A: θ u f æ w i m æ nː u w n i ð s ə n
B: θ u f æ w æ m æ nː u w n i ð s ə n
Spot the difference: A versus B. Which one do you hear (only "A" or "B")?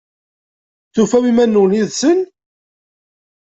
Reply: A